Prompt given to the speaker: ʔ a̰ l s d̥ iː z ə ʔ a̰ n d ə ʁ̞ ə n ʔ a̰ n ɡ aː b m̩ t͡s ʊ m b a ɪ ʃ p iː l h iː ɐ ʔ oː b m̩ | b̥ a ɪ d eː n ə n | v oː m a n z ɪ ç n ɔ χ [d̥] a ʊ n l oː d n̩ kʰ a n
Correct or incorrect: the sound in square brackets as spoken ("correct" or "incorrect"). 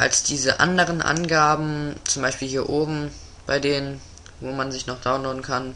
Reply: correct